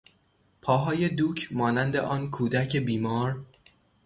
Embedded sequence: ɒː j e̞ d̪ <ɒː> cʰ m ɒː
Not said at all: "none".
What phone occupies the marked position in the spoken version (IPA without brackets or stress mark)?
uː